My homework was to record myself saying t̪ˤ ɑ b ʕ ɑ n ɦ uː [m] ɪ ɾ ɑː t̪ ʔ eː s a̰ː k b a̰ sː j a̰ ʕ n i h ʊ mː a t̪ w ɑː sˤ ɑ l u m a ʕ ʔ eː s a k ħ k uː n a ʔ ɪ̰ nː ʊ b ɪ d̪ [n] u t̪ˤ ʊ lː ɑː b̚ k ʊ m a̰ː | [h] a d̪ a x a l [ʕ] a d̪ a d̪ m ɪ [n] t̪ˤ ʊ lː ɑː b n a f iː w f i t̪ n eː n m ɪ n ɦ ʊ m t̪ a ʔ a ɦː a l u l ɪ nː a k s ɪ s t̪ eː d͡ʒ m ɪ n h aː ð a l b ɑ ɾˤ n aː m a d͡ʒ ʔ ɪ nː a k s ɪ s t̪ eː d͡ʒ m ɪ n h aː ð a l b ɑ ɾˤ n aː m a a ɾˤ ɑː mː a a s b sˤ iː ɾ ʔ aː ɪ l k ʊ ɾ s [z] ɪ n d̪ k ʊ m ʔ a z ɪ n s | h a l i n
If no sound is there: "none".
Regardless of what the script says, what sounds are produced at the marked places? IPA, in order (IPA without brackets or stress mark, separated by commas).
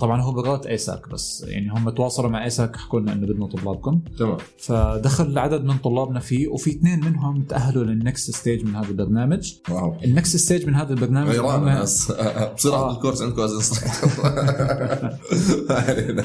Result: b, n, f, ʕ, n, ʕ